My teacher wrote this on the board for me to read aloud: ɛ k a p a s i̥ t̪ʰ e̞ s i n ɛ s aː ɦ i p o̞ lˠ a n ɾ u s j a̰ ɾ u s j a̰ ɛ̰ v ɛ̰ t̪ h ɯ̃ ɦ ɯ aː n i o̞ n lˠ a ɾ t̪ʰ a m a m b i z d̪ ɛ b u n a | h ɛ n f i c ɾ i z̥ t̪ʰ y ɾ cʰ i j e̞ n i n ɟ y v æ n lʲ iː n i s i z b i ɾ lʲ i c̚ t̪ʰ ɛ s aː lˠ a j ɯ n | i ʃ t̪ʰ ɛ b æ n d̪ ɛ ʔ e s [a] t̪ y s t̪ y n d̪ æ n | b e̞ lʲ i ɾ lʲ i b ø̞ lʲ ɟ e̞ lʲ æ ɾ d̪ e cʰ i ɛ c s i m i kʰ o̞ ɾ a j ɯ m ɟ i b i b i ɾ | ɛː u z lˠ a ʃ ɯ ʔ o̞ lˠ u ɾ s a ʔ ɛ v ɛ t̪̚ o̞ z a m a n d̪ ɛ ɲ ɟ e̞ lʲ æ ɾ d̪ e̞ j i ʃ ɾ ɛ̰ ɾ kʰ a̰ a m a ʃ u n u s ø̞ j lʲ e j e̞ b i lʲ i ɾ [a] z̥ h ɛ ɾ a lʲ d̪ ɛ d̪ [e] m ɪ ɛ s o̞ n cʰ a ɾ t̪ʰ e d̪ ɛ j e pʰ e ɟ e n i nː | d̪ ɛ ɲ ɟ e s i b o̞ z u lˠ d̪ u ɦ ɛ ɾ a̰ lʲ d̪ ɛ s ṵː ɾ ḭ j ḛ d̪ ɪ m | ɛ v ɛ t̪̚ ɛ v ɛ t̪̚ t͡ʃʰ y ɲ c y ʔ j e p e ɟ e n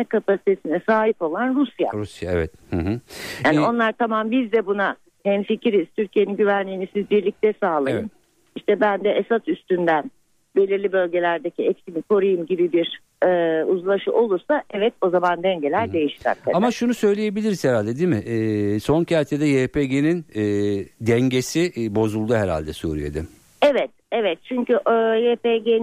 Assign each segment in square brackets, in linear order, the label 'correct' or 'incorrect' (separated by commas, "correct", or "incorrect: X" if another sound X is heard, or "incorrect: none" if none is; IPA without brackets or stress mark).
correct, incorrect: i, incorrect: i